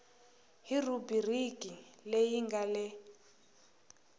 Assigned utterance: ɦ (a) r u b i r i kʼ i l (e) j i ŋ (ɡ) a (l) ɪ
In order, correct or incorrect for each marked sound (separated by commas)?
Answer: incorrect, correct, correct, correct